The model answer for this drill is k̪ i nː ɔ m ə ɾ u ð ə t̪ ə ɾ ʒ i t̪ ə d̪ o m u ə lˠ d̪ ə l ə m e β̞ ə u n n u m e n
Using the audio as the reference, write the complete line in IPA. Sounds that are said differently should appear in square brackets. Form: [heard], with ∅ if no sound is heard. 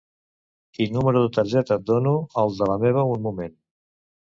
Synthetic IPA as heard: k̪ i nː [u] m ə ɾ u ð ə t̪ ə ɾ ʒ [ɛ] t̪ ə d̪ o [n] u ə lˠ d̪ ə l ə m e β̞ ə u n [m] u m e n